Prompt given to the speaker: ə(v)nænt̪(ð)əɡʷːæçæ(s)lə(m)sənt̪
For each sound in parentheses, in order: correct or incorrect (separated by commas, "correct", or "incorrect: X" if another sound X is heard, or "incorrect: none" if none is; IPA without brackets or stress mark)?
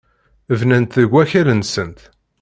correct, correct, incorrect: none, incorrect: n